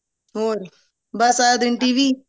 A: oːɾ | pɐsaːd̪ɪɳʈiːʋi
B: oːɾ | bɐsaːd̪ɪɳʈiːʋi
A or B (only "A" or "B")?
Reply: B